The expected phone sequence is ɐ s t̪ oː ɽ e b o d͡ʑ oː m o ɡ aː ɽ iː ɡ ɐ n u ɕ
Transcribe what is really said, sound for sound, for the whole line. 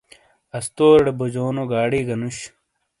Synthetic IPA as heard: ɐ s t̪ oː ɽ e b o d͡ʑ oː n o ɡ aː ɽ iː ɡ ɐ n u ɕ

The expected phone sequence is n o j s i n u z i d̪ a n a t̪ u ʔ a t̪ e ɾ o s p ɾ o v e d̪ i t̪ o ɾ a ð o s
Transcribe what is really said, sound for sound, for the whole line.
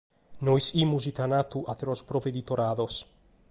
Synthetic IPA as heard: n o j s i m u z i t̪ a n a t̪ u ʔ a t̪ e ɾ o s p ɾ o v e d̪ i t̪ o ɾ a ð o s

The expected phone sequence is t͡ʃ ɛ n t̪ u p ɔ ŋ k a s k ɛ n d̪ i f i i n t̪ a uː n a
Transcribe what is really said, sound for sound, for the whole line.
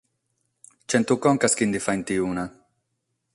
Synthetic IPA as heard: t͡ʃ ɛ n t̪ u k ɔ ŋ k a s k i n d̪ i f a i n t̪ i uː n a

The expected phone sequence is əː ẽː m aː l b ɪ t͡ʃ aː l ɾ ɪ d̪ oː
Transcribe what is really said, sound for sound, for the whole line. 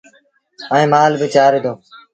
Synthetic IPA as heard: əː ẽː m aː l b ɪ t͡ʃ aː ɾ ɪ d̪ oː

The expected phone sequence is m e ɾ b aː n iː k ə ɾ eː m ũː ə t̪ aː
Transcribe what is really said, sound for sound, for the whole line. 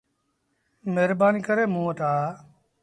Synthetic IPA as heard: m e ɾ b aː n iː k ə ɾ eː m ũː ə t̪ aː

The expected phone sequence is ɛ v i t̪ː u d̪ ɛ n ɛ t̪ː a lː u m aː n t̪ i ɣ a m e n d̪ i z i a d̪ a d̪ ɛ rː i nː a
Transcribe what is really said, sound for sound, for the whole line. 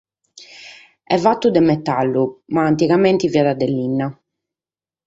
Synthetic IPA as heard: ɛ v a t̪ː u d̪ ɛ m ɛ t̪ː a lː u m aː n t̪ i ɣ a m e n t̪ i v i a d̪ a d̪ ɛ lː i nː a

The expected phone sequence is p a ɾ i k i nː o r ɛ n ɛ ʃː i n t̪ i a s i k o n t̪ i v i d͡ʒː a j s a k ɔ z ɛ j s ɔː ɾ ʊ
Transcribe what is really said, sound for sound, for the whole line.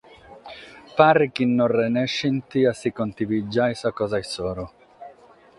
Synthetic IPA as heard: p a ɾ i k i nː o r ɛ n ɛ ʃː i n t̪ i a s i k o n t̪ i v i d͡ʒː a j s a k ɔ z a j s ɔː ɾ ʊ

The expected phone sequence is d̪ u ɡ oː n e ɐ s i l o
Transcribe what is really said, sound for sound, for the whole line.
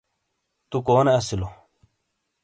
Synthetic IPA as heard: t̪ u k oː n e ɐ s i l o

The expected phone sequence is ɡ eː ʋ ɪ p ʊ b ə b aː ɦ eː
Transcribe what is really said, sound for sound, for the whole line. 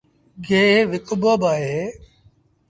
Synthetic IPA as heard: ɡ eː ʋ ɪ k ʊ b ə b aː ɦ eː

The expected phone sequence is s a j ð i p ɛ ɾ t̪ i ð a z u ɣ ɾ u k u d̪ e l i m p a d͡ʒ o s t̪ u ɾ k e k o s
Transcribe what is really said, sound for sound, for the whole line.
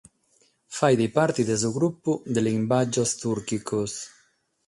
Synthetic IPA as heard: f a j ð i p a ɾ t̪ i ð e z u ɣ ɾ u p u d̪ e l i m b a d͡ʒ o s t̪ u ɾ k i k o s

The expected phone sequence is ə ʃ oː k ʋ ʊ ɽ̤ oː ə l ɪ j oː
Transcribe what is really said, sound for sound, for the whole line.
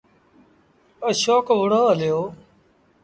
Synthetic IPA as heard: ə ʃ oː k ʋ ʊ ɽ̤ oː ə l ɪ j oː

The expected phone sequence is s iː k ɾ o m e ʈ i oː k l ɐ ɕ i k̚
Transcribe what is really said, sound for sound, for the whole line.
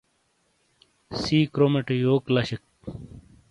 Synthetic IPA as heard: s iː k ɾ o m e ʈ j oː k l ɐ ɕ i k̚

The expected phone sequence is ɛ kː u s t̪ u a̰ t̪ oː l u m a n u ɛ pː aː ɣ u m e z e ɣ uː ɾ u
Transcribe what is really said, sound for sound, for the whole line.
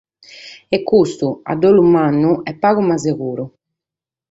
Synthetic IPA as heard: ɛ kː u s t̪ u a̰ d̪ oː l u m a nː u ɛ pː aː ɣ u m a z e ɣ uː ɾ u

